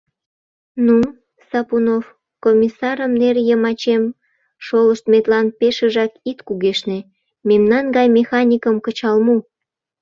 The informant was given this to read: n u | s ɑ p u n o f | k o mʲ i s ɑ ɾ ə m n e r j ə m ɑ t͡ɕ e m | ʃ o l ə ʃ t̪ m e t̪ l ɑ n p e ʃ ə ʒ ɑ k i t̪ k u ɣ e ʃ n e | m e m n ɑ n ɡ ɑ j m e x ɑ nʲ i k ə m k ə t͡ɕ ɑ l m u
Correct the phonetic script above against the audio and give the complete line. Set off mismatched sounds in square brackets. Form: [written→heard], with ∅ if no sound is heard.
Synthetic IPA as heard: n u | s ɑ p u n o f | k o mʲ i s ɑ ɾ ə m n e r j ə m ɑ t͡ɕ e m | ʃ o l ə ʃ t̪ m e t̪ l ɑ n p e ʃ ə ʒ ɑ k i t̪ k u ɣ e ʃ n e | m e m n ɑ n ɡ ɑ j m e x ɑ nʲ i k ə m k ə t͡ɕ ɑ l m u

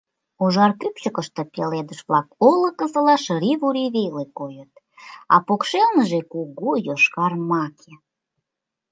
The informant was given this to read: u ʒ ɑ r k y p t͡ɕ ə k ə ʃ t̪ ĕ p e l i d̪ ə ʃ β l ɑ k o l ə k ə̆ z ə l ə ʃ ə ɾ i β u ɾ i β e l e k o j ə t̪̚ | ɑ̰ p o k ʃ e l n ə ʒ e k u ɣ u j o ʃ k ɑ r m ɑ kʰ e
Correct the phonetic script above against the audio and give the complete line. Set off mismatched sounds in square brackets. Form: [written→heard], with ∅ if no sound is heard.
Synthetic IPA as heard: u ʒ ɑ r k y p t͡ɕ ə k ə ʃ t̪ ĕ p e l [i→e] d̪ ə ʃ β l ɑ k o l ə k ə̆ z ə l [ə→ɑ] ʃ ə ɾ i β u ɾ i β e l e k o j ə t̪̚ | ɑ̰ p o k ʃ e l n ə ʒ e k u ɣ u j o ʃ k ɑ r m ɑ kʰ e

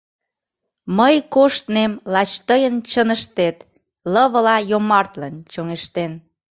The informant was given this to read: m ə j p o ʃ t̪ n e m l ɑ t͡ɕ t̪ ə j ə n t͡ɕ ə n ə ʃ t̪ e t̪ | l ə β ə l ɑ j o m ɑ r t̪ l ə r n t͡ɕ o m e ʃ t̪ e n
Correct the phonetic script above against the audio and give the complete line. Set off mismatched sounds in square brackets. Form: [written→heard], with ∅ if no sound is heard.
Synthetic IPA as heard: m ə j [p→k] o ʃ t̪ n e m l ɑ t͡ɕ t̪ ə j ə n t͡ɕ ə n ə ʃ t̪ e t̪ | l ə β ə l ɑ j o m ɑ r t̪ l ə [r→∅] n t͡ɕ o [m→ŋ] e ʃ t̪ e n

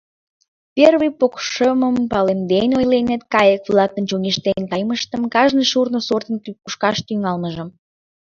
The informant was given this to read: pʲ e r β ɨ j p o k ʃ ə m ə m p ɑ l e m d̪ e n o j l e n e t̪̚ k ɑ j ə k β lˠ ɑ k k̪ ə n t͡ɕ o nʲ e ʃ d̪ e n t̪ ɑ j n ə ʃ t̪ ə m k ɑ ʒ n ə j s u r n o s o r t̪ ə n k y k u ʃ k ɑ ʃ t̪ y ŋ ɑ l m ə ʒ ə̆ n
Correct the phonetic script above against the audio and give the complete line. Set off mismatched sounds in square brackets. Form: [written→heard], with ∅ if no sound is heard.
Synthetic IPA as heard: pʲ e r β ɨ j p o k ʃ ə m ə m p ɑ l e m d̪ e n o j l e n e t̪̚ k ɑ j ə k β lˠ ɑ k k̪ ə n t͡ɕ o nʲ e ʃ [d̪→t̪] e n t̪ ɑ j [n→m] ə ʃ t̪ ə m k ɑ ʒ n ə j [s→ʃ] u r n o s o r t̪ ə n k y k u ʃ k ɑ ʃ t̪ y ŋ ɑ l m ə ʒ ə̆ [n→m]

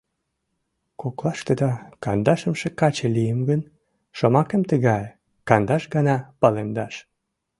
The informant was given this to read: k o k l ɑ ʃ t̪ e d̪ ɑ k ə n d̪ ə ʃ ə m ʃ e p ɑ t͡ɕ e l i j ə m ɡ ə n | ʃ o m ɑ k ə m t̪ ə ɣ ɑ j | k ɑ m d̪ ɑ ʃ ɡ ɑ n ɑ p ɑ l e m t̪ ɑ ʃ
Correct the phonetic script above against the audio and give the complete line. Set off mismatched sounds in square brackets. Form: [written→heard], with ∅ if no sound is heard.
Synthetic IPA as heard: k o k l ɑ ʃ t̪ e d̪ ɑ k [ə→ɑ] n d̪ [ə→ɑ] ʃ ə m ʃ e [p→k] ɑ t͡ɕ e l i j ə m ɡ ə n | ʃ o m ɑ k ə m t̪ ə ɣ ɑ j | k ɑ [m→n] d̪ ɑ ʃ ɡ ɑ n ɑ p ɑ l e m [t̪→d̪] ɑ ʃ

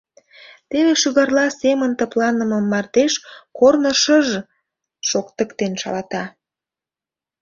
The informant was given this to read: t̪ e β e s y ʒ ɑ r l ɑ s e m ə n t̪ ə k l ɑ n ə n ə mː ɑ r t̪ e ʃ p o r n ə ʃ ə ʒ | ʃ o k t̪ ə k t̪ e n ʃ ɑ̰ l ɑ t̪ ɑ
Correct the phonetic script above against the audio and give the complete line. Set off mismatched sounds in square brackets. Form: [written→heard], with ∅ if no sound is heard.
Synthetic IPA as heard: t̪ e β e [s→ʃ] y [ʒ→ɣ] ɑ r l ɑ s e m ə n t̪ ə [k→p] l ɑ n ə [n→m] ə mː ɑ r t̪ e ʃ [p→k] o r n ə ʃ ə ʒ | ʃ o k t̪ ə k t̪ e n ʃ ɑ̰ l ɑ t̪ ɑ

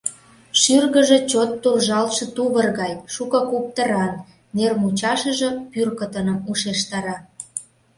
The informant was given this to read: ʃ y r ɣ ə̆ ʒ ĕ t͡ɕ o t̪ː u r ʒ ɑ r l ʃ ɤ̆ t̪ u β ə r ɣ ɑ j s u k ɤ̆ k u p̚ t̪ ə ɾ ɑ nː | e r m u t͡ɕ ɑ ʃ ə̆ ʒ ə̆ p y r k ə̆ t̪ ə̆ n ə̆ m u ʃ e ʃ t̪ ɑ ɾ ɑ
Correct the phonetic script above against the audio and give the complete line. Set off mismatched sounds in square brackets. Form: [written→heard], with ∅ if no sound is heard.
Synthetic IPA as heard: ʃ y r ɣ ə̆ ʒ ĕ t͡ɕ o t̪ː u r ʒ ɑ [r→∅] l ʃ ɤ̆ t̪ u β ə r ɣ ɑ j [s→ʃ] u k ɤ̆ k u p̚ t̪ ə ɾ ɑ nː | e r m u t͡ɕ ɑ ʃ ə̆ ʒ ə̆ p y r k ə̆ t̪ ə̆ n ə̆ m u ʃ e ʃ t̪ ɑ ɾ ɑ

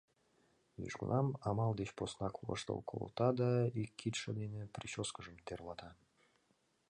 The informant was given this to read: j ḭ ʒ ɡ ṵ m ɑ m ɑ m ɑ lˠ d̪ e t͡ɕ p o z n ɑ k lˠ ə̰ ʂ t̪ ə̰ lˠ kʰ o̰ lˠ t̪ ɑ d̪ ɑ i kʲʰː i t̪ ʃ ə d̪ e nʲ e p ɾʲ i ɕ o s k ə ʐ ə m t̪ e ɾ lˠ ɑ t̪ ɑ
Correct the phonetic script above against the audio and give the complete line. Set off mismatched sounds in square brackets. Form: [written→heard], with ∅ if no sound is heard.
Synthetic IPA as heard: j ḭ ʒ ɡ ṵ [m→n] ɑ m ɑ m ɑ lˠ d̪ e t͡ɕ p o [z→s] n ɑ k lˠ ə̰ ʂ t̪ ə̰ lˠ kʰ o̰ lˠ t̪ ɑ d̪ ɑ i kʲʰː i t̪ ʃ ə d̪ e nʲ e p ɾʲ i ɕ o s k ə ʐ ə m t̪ e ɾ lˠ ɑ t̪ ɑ

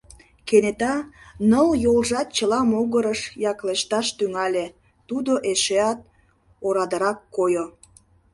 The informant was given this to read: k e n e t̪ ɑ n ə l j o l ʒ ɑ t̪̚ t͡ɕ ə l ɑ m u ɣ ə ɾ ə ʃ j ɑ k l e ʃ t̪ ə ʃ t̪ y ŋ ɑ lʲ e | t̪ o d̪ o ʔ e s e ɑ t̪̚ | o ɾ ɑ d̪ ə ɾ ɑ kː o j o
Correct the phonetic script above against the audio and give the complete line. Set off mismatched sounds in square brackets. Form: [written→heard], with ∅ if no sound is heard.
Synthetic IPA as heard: k e n e t̪ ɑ n ə l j o l ʒ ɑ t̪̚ t͡ɕ ə l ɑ m [u→o] ɣ ə ɾ ə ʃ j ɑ k l e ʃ t̪ [ə→ɑ] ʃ t̪ y ŋ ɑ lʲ e | t̪ [o→u] d̪ o ʔ e [s→ʃ] e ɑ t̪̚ | o ɾ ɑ d̪ ə ɾ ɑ kː o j o

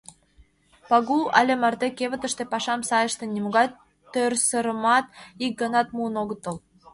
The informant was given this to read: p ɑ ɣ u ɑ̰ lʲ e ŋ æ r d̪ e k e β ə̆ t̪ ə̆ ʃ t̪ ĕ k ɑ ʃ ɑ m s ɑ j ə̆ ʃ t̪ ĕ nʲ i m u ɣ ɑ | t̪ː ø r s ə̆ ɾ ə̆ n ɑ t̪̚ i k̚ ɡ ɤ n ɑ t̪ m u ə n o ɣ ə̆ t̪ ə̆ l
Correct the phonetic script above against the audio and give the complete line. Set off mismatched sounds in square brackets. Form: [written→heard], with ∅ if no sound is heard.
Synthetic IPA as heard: p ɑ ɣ u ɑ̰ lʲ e [ŋ→m] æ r d̪ e k e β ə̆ t̪ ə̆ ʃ t̪ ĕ [k→p] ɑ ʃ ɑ m s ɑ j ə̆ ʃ t̪ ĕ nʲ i m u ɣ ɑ | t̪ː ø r s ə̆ ɾ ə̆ [n→m] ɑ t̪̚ i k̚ ɡ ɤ n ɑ t̪ m u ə n o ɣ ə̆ t̪ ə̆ l

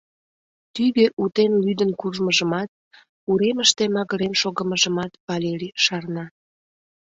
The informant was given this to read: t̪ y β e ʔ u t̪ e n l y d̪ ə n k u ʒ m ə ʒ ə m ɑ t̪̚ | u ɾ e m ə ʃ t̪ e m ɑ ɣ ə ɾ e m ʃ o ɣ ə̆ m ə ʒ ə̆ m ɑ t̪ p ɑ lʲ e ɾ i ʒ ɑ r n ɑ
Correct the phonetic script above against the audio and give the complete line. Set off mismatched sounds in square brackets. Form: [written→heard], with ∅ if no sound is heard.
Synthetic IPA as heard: t̪ y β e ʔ u t̪ e n l y d̪ ə n k u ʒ m ə ʒ ə m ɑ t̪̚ | u ɾ e m ə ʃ t̪ e m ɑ ɣ ə ɾ e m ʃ o ɣ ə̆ m ə ʒ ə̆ m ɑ t̪ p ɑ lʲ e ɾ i [ʒ→ʃ] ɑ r n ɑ

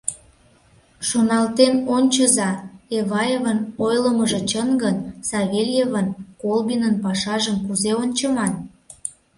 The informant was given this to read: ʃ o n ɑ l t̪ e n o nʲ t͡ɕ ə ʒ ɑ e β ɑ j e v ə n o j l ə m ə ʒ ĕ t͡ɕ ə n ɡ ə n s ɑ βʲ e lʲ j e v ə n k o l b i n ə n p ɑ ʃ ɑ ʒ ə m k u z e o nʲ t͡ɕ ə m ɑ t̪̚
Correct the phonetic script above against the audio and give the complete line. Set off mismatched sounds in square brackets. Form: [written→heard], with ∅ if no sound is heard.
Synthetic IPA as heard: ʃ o n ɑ l t̪ e n o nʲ t͡ɕ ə [ʒ→z] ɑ e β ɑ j e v ə n o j l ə m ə ʒ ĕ t͡ɕ ə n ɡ ə n s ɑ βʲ e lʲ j e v ə n k o l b i n ə n p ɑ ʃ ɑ ʒ ə m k u z e o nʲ t͡ɕ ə m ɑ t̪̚

